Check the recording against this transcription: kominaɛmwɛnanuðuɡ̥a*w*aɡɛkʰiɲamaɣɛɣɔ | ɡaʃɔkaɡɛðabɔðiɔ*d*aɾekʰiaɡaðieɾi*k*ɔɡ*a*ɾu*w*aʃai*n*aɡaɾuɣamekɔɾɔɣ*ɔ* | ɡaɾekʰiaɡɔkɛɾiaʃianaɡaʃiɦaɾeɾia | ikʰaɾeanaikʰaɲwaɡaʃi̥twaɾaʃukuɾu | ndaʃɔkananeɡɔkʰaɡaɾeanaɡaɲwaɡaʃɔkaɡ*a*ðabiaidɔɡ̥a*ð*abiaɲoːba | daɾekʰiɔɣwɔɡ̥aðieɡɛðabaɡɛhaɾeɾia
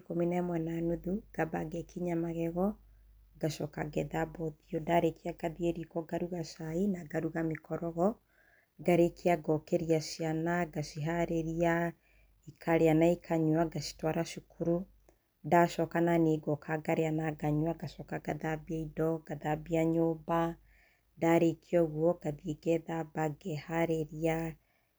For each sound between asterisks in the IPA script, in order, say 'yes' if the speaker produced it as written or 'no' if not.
no, yes, yes, yes, no, yes, yes, yes, yes

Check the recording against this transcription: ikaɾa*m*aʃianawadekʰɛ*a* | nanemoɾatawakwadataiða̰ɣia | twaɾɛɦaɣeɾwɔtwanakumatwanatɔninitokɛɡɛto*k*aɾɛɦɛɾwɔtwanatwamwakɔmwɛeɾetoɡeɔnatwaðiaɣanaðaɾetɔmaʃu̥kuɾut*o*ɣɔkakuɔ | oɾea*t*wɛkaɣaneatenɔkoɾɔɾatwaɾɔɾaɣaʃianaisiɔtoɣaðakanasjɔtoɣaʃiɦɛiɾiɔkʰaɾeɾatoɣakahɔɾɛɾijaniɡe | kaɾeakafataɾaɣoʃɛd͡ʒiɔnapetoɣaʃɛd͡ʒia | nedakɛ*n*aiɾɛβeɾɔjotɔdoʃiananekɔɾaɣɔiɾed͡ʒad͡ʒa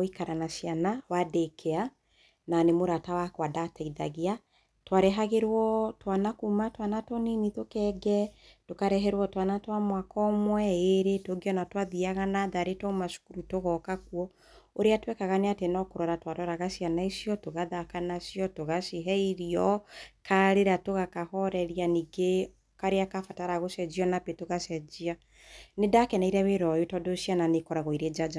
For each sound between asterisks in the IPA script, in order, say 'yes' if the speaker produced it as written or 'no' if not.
no, yes, yes, yes, yes, yes

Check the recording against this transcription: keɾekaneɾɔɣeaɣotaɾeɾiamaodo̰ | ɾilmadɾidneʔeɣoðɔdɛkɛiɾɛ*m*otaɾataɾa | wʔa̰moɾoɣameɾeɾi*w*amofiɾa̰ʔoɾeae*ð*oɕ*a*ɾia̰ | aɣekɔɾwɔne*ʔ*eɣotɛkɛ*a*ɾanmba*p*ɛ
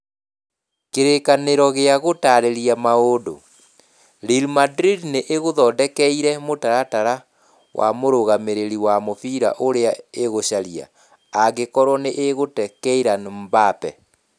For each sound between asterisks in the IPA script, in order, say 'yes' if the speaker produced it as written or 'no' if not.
yes, yes, no, yes, yes, no, yes

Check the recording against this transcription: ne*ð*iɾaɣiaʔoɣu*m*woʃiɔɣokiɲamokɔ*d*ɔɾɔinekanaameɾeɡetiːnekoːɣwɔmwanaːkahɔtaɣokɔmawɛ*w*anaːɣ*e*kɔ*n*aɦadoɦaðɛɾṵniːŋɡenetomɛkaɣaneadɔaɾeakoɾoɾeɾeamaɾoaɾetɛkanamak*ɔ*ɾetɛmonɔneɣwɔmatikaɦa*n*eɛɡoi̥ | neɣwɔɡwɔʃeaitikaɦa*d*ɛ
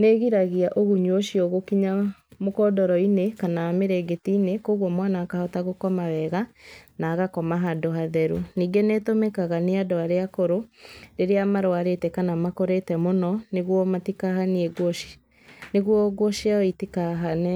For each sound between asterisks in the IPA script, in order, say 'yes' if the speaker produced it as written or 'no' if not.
no, no, yes, no, no, no, no, yes, no

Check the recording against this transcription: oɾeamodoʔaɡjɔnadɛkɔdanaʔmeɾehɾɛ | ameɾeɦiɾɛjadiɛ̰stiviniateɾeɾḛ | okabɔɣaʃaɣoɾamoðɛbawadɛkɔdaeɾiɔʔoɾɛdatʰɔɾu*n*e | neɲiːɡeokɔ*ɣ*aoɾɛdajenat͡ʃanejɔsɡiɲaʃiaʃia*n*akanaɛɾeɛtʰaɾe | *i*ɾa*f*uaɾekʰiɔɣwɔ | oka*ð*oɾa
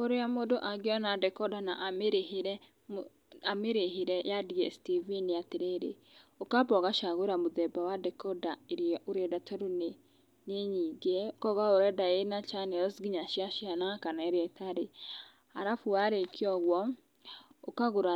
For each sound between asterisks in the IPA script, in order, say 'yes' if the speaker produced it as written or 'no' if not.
yes, yes, yes, no, yes, no

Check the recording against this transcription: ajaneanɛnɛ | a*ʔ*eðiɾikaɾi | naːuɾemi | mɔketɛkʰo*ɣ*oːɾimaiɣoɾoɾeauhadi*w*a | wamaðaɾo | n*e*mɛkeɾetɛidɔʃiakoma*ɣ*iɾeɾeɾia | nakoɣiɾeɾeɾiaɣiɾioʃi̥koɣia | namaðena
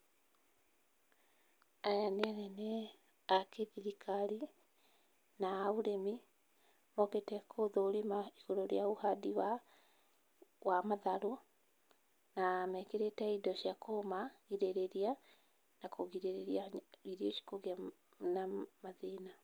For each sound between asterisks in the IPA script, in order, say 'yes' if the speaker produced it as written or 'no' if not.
no, no, yes, no, yes

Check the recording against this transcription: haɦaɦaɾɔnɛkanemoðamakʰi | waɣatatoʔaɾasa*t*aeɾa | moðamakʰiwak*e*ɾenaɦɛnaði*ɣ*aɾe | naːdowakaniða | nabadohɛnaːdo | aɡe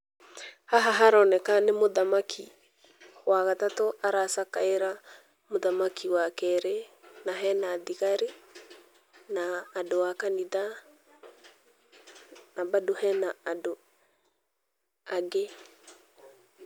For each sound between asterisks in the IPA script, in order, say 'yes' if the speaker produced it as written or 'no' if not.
no, no, yes

